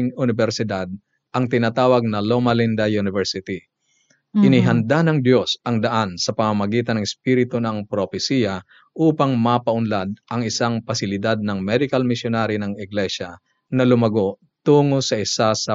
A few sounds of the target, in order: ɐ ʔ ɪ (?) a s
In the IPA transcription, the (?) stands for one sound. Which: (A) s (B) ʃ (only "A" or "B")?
A